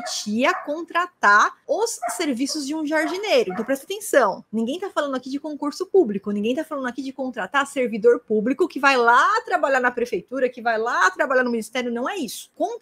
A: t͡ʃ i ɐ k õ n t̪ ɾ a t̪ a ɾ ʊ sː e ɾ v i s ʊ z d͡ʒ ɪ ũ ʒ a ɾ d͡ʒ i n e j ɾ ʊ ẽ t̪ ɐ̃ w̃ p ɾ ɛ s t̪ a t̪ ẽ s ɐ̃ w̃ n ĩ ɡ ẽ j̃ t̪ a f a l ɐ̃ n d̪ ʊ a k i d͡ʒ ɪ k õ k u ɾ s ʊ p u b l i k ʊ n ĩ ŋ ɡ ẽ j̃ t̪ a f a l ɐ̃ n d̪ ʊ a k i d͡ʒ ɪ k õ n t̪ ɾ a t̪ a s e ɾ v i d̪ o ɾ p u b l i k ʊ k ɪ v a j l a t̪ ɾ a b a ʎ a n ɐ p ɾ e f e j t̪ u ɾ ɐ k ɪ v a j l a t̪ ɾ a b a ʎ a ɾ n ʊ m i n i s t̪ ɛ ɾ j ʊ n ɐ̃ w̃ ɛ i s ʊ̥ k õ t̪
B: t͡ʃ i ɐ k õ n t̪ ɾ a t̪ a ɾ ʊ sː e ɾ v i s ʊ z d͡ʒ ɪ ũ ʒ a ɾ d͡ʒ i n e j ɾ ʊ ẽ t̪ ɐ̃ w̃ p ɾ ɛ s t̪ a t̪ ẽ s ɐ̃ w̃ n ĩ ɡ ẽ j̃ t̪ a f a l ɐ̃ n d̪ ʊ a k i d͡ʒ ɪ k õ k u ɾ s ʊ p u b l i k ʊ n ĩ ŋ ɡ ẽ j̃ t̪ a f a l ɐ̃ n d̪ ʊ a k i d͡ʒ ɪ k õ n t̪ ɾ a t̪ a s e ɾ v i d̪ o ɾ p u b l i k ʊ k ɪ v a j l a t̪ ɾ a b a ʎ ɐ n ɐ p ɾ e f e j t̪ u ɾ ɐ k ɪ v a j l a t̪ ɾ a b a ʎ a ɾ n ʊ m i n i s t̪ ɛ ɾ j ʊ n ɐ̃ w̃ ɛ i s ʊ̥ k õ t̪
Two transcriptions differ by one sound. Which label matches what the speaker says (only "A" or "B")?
A